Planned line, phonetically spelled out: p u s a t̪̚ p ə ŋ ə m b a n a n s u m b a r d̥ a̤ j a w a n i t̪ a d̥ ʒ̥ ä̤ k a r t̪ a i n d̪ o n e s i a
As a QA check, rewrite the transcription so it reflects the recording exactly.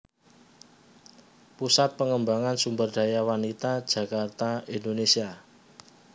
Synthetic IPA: p u s a t̪̚ p ə ŋ ə m b a ŋ a n s u m b ə r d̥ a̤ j a w a n i t̪ a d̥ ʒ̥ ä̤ k a r t̪ a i n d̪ o n e s i a